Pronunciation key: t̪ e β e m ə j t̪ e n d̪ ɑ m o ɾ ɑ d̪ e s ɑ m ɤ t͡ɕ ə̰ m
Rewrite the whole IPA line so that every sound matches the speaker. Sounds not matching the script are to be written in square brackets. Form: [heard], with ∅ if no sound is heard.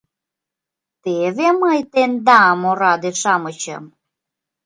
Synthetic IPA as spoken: t̪ e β e m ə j t̪ e n d̪ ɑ m o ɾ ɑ d̪ e [ʃ] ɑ m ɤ t͡ɕ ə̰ m